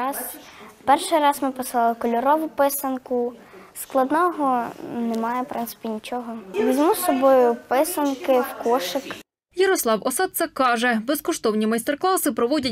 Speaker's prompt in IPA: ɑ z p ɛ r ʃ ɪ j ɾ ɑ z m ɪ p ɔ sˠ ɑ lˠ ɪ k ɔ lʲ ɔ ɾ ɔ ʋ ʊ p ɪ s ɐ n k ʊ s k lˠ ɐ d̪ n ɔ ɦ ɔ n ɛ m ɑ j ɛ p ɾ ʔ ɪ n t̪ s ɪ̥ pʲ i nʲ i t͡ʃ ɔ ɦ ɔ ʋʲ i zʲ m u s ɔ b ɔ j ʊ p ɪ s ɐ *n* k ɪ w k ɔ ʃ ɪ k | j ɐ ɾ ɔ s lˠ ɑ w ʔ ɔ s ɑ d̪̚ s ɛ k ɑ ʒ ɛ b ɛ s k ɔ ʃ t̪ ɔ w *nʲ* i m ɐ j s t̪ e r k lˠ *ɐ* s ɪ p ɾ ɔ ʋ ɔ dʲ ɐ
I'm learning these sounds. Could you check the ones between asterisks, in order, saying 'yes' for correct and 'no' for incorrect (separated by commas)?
yes, yes, no